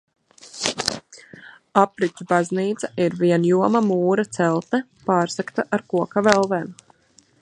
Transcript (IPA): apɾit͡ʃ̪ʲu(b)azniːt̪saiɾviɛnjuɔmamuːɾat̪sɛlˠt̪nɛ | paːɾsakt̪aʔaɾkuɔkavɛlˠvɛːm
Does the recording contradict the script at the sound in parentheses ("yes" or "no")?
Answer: no